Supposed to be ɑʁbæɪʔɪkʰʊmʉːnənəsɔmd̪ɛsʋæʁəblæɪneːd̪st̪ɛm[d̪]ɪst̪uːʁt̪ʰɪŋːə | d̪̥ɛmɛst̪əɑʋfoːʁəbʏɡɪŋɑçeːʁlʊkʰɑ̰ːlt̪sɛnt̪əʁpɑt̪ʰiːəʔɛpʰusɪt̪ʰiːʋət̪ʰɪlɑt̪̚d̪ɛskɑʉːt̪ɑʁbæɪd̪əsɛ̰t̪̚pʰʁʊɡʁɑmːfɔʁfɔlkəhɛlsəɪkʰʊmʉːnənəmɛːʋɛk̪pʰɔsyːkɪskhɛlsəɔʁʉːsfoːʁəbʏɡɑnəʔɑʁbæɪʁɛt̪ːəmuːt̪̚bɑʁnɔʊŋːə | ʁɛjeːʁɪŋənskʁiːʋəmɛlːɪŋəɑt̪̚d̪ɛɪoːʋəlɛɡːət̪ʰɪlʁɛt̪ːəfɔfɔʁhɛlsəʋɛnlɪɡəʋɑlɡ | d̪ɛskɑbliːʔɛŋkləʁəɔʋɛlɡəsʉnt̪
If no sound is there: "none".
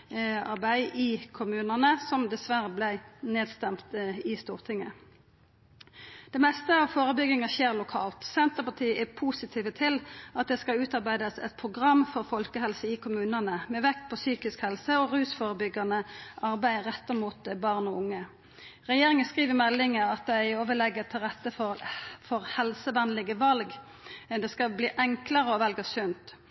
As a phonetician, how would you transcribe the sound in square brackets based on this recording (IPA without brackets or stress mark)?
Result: t̪